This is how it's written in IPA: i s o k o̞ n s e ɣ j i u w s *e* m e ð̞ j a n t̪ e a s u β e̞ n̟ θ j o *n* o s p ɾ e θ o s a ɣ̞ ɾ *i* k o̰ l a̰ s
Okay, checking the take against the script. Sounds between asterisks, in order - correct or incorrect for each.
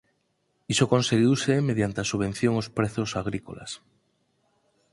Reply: correct, incorrect: ŋ, correct

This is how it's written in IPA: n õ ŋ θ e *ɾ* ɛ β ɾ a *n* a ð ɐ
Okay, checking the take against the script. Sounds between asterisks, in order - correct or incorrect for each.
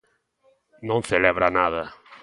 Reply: incorrect: l, correct

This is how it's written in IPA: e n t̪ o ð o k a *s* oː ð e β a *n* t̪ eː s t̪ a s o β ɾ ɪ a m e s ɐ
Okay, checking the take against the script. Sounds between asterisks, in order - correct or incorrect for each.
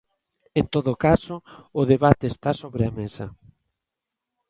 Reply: correct, incorrect: none

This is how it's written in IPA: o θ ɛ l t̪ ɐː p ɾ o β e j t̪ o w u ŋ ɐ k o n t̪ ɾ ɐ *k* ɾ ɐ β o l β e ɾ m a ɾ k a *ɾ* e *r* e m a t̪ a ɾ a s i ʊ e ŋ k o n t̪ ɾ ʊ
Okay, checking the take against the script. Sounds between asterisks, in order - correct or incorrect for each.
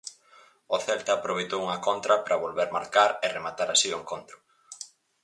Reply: incorrect: p, correct, correct

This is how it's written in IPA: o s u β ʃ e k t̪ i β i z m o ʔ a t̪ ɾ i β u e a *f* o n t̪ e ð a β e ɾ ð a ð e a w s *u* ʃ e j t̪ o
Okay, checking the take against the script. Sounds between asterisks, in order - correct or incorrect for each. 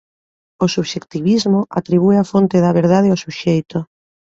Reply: correct, correct

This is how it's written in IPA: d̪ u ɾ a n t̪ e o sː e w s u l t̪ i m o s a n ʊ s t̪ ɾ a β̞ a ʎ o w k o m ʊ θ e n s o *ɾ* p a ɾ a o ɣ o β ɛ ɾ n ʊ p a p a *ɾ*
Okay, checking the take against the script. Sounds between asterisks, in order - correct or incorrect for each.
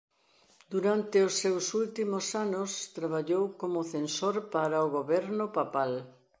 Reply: correct, incorrect: l

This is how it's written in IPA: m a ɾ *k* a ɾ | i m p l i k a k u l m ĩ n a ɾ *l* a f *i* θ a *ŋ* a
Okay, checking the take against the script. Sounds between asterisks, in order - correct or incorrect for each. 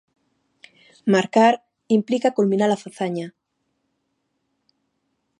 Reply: correct, correct, incorrect: a, incorrect: ɲ

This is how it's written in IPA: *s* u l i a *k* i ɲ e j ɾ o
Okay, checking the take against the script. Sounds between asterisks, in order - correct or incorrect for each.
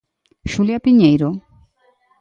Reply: incorrect: ʃ, incorrect: p

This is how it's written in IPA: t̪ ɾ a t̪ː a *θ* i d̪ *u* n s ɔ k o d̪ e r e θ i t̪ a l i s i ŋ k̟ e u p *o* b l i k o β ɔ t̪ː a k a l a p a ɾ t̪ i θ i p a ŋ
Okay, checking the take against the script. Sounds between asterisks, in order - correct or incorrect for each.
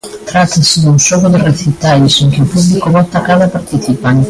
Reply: incorrect: s, correct, incorrect: u

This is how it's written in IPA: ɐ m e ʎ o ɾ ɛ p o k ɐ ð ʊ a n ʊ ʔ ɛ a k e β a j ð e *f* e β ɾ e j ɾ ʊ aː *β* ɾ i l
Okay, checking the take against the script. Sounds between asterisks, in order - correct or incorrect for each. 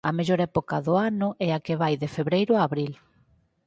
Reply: correct, correct

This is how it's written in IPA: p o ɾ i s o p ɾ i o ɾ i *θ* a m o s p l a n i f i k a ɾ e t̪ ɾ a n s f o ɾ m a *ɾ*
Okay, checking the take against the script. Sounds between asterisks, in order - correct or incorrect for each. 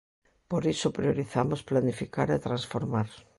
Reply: correct, correct

